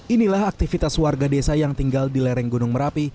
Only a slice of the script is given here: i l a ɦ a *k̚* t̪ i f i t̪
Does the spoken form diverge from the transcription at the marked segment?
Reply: no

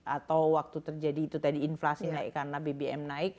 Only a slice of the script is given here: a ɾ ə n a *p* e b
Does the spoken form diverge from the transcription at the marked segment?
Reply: yes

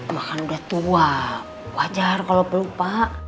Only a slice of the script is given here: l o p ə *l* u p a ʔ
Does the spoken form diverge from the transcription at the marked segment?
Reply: no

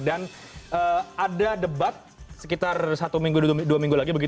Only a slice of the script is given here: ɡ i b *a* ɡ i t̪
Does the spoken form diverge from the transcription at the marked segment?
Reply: yes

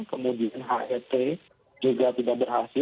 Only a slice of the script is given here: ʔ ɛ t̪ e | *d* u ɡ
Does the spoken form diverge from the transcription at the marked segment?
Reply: yes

